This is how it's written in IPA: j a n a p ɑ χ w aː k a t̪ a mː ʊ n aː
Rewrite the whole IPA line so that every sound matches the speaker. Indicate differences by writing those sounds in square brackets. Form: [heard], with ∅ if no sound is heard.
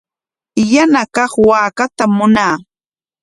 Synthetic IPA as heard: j a n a [k] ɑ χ w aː k a t̪ a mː ʊ n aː

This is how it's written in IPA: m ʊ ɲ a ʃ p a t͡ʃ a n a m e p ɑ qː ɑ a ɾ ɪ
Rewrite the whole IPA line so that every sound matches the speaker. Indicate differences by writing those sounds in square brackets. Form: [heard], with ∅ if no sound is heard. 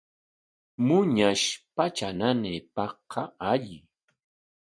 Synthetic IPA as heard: m ʊ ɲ a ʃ p a t͡ʃ a n a [n] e p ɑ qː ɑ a [ʎ] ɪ

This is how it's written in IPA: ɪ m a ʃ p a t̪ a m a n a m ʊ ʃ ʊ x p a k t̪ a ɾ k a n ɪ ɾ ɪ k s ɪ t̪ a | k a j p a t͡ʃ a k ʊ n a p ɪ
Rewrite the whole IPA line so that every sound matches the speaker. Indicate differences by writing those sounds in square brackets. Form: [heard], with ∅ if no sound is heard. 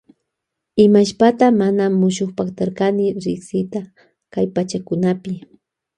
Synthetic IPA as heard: ɪ m a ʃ p a t̪ a m a n a m ʊ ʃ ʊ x p a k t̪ a ɾ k a n ɪ ɾ ɪ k s ɪ t̪ a | k a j p a t͡ʃ a k ʊ n a p ɪ

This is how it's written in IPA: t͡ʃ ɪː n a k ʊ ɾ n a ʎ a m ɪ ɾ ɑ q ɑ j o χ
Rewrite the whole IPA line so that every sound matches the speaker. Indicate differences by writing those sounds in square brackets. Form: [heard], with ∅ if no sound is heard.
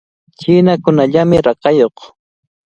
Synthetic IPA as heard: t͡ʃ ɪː n a k ʊ [∅] n a ʎ a m ɪ ɾ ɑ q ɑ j o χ

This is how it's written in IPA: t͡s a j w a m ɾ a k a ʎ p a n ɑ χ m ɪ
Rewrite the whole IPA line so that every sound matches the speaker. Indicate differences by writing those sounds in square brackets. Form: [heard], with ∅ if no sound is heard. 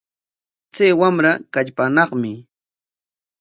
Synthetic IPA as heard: t͡s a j w a m ɾ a k a ʎ p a n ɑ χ m ɪ

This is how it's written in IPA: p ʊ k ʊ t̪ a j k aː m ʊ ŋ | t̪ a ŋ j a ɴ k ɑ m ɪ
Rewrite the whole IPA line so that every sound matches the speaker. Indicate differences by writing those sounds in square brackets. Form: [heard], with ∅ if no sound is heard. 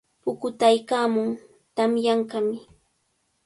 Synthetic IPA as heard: p ʊ k ʊ t̪ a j k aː m ʊ ŋ | t̪ a [m] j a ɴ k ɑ m ɪ

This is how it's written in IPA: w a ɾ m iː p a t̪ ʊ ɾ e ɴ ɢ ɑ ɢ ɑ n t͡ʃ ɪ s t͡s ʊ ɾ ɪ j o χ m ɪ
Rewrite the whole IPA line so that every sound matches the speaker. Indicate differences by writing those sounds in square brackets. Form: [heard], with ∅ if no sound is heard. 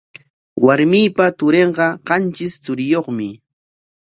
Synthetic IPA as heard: w a ɾ m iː p a t̪ ʊ ɾ e ɴ ɢ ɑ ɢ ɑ n t͡ʃ ɪ s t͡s ʊ ɾ ɪ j o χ m ɪ

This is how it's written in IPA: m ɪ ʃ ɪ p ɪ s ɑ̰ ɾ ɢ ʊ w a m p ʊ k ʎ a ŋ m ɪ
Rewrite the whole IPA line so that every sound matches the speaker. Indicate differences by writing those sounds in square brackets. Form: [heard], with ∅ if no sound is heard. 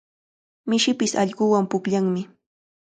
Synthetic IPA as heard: m ɪ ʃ ɪ p ɪ s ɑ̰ [ʎ] ɢ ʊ w a m p ʊ k ʎ a ŋ m ɪ

